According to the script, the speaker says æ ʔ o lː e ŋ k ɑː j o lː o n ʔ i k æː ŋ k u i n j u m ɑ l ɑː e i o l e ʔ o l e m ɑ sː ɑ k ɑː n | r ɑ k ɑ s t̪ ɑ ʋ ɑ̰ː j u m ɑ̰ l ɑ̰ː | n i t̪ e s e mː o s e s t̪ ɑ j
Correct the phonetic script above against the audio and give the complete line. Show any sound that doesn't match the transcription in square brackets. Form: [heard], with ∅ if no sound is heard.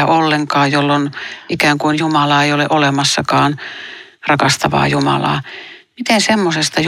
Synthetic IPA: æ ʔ o lː e ŋ k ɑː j o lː o n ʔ i k æː ŋ k u i n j u m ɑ l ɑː e i o l e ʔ o l e m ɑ sː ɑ k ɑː n | r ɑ k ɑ s t̪ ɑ ʋ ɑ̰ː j u m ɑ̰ l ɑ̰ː | [m] i t̪ e s e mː o s e s t̪ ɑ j